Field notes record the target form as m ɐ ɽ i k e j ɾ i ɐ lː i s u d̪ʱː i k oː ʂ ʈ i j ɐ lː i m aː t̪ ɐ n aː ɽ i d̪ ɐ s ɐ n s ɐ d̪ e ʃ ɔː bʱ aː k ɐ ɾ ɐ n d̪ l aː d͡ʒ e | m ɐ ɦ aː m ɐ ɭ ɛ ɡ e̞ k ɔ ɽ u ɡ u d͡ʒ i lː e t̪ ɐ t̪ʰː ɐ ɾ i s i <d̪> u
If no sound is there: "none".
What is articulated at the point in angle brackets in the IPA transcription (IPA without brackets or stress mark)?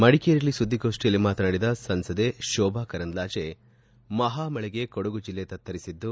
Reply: d̪ː